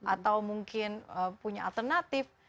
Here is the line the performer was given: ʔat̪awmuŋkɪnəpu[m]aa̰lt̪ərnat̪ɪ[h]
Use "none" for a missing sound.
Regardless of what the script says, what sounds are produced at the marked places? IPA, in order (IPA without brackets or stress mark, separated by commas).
ɲ, f